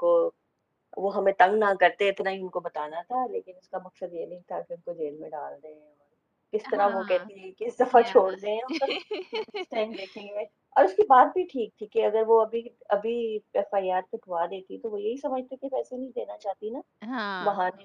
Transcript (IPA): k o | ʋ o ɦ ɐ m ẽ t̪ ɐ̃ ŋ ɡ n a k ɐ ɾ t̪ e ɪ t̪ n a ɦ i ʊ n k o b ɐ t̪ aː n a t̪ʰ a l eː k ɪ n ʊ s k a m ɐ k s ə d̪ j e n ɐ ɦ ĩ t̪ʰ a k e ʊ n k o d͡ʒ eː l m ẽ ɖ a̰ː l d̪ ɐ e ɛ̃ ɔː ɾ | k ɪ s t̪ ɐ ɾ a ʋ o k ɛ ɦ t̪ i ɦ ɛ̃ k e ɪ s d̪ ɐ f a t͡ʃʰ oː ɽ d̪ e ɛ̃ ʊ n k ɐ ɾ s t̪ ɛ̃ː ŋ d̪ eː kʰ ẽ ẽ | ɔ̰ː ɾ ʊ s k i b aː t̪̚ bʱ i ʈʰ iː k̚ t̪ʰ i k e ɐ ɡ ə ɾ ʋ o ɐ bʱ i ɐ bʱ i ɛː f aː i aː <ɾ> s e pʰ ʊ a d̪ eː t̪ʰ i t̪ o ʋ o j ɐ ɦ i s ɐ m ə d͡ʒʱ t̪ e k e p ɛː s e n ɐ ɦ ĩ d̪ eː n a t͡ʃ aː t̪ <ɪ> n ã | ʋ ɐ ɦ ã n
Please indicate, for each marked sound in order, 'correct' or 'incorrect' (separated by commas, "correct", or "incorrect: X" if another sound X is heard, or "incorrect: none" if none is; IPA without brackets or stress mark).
correct, incorrect: i